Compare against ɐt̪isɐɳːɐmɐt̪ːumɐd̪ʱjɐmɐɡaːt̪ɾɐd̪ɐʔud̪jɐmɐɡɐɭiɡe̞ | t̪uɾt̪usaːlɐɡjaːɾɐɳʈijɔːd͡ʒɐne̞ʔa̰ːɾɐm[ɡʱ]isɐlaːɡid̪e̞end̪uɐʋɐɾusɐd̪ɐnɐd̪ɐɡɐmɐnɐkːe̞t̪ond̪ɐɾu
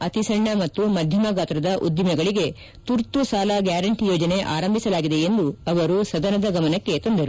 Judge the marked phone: incorrect: bʱ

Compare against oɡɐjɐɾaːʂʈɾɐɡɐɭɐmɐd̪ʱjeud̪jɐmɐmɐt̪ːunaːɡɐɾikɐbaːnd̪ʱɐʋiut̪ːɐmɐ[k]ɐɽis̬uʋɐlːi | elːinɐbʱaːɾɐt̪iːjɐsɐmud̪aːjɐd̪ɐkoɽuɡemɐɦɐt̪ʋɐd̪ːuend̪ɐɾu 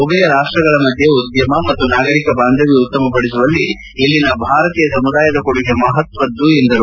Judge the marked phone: incorrect: p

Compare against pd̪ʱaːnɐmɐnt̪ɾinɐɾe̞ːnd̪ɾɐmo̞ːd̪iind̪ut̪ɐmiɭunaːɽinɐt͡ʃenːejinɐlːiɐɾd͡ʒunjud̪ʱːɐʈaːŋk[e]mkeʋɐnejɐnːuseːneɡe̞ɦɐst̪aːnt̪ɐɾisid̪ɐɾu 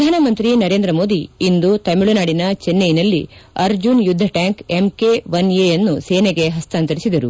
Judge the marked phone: correct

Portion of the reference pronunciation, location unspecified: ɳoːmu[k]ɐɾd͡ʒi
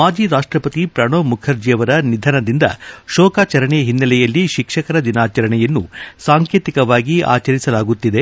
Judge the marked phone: incorrect: kʰ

